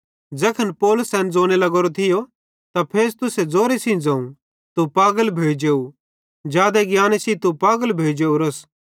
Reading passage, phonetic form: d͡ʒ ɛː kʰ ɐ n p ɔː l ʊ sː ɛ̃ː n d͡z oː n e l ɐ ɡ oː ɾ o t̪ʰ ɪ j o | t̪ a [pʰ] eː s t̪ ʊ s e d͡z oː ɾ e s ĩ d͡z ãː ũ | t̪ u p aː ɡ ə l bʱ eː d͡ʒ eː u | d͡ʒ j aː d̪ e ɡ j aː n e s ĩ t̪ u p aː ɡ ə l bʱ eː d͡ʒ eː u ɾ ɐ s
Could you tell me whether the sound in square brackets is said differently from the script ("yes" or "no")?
no